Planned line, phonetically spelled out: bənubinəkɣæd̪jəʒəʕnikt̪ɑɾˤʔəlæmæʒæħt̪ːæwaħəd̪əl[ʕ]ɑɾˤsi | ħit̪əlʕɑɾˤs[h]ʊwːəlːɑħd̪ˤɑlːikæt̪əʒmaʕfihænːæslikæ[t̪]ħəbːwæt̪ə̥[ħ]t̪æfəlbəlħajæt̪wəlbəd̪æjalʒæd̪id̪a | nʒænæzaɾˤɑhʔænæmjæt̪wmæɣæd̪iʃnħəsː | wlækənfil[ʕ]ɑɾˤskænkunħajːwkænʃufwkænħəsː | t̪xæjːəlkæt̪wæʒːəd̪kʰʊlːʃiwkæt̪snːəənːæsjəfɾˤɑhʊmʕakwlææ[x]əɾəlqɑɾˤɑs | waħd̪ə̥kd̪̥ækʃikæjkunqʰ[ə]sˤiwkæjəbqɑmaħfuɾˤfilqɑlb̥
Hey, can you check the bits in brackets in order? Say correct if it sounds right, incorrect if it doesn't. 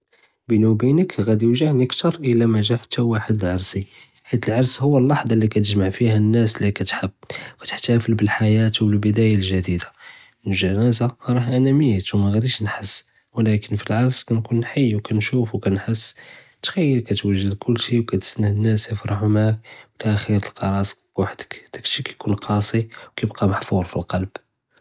correct, correct, correct, correct, correct, correct, incorrect: ɑ

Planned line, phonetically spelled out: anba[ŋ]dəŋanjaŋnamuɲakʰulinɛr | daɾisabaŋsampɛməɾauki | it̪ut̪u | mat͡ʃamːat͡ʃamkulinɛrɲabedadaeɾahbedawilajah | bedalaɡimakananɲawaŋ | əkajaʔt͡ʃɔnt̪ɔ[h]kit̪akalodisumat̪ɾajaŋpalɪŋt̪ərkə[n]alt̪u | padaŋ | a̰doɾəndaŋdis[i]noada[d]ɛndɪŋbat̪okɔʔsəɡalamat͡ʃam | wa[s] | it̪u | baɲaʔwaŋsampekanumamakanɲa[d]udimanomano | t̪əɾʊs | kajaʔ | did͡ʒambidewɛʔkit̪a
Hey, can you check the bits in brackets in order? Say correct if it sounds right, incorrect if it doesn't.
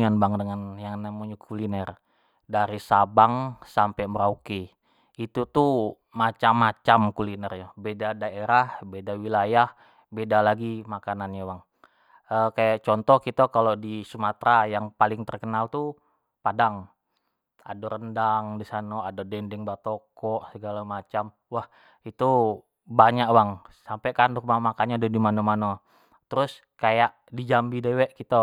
correct, correct, correct, incorrect: a, correct, incorrect: h, correct

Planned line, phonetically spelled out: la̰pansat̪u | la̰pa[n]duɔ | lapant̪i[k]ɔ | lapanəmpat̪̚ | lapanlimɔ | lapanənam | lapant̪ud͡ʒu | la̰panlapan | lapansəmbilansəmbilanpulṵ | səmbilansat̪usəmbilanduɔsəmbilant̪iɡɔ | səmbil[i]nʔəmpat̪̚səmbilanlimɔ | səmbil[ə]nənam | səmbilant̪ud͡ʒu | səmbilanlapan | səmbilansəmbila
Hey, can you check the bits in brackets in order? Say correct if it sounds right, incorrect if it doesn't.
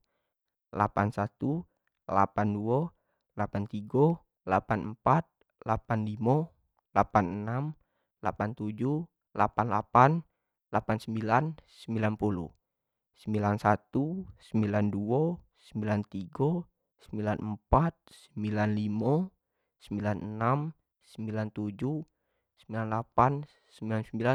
correct, incorrect: ɡ, incorrect: a, incorrect: a

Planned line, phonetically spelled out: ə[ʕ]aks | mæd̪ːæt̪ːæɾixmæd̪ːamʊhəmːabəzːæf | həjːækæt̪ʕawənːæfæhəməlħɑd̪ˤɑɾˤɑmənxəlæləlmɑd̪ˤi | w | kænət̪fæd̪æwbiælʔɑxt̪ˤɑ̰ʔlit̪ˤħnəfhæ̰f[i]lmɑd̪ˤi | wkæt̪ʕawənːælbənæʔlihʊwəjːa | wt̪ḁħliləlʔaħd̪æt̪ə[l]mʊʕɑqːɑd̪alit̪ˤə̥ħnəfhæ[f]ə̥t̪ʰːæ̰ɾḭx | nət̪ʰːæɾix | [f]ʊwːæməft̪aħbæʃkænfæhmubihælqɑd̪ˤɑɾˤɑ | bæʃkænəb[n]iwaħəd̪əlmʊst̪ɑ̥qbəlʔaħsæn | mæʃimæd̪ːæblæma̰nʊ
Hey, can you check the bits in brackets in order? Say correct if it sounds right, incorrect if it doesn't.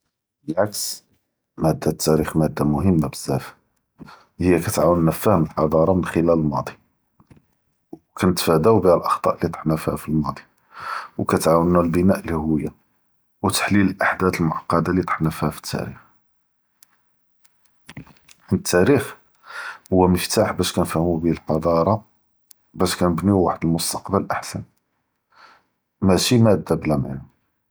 correct, correct, correct, correct, incorrect: h, correct

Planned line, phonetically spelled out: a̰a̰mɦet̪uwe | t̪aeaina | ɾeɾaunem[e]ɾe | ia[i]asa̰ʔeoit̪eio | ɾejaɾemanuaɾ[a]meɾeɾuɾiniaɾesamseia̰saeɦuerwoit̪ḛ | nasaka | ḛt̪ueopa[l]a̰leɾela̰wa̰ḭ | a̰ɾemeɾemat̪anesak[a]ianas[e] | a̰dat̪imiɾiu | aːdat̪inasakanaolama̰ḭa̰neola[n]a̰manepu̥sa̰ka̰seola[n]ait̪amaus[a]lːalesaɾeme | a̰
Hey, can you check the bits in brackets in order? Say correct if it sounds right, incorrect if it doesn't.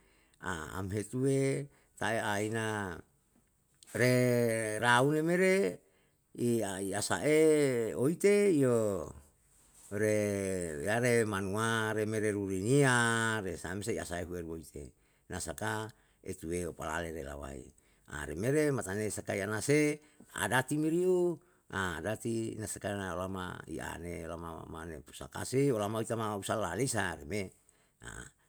correct, correct, incorrect: e, correct, correct, correct, incorrect: m, incorrect: m, correct

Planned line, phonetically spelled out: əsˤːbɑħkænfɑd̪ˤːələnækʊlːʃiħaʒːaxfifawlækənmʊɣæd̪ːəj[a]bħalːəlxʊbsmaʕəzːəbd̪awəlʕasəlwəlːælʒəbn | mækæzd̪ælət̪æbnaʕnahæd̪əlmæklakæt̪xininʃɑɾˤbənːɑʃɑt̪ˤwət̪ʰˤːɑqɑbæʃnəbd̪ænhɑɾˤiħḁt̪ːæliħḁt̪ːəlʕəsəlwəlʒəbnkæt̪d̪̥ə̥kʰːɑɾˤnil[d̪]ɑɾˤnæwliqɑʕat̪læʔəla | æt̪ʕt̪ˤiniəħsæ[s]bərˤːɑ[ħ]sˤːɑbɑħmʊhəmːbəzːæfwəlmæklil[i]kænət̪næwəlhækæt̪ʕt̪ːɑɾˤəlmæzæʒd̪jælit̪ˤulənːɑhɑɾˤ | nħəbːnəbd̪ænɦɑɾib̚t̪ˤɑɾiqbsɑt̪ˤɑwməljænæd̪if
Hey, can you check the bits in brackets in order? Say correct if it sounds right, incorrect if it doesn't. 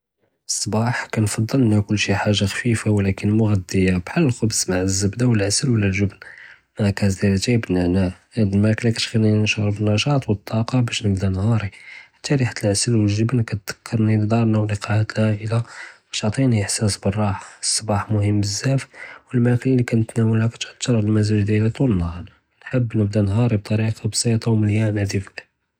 correct, correct, correct, correct, correct

